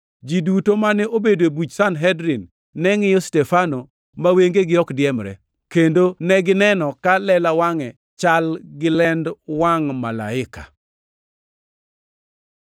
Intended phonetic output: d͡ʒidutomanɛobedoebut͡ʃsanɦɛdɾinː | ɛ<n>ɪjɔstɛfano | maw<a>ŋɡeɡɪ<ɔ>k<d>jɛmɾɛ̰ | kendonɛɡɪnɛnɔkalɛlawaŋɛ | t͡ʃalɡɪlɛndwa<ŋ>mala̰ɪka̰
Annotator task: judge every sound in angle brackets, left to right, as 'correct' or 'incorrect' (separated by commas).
incorrect, incorrect, correct, correct, correct